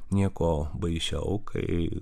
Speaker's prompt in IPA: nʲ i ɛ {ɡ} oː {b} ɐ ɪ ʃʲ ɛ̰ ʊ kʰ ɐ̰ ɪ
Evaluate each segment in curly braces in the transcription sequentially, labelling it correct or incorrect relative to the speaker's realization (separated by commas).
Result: incorrect, correct